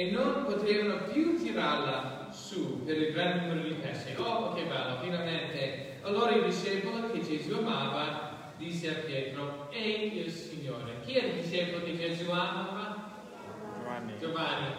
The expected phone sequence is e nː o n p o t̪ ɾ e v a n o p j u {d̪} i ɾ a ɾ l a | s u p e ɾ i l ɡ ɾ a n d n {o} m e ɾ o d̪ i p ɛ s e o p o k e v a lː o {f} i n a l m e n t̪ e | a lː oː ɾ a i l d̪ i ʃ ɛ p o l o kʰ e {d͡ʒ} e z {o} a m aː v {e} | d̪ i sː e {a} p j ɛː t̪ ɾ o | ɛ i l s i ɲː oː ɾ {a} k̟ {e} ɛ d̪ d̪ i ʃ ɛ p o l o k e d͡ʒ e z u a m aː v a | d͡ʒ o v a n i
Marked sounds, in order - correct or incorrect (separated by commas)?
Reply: incorrect, incorrect, correct, correct, incorrect, incorrect, correct, incorrect, incorrect